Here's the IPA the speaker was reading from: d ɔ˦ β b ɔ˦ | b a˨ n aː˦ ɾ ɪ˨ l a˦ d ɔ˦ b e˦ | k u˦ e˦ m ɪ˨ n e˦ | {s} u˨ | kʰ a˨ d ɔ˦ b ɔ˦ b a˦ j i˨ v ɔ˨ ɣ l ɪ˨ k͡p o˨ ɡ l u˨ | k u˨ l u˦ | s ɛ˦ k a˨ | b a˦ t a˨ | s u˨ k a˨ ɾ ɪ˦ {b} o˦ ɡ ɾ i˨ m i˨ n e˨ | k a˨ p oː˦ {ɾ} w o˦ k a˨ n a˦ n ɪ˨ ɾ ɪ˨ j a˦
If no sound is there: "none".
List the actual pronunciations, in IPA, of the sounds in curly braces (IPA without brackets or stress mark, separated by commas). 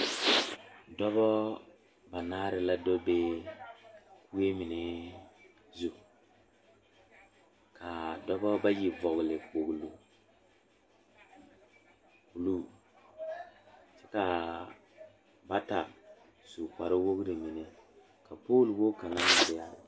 z, w, l